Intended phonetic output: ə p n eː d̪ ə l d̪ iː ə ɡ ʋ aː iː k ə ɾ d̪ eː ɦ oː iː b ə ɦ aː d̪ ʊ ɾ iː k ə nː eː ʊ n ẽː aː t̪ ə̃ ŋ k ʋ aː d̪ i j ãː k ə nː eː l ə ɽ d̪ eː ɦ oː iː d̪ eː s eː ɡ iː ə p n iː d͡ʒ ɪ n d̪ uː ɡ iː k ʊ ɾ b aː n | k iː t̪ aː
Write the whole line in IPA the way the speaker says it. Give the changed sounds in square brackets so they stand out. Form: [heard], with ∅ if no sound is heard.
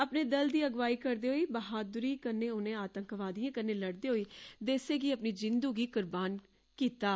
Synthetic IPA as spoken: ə p n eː d̪ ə l d̪ iː ə ɡ ʋ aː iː k ə ɾ d̪ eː ɦ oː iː b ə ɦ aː d̪ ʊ ɾ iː k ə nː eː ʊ n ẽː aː t̪ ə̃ ŋ k ʋ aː d̪ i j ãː k ə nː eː l ə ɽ d̪ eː ɦ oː iː d̪ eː s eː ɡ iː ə p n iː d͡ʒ ɪ n d̪ uː ɡ iː k ʊ ɾ b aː n | k iː t̪ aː